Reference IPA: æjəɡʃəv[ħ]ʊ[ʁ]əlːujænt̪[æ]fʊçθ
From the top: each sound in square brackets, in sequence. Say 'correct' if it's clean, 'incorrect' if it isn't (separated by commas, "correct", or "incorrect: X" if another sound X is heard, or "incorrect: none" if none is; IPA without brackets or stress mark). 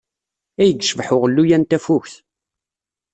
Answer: correct, correct, correct